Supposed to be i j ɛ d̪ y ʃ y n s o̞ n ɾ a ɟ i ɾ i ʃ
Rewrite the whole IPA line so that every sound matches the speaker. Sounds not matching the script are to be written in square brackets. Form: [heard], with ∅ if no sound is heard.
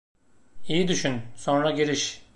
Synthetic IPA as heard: i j [i] d̪ y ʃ y n s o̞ n ɾ a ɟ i ɾ i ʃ